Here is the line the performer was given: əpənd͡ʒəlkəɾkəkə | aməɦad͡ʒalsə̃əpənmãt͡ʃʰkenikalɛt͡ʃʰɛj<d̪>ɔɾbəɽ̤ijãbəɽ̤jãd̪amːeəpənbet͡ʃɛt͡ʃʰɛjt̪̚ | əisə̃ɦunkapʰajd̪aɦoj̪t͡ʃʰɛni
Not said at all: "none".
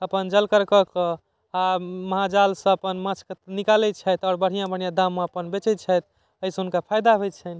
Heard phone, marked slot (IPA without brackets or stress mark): t̪